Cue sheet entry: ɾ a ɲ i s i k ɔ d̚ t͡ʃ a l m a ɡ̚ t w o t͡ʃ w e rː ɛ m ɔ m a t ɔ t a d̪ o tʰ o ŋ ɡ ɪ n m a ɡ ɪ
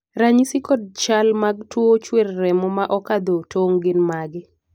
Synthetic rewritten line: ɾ a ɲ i s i k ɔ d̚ t͡ʃ a l m a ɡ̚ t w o t͡ʃ w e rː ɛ m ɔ m a ʔ ɔ k a d̪ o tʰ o ŋ ɡ ɪ n m a ɡ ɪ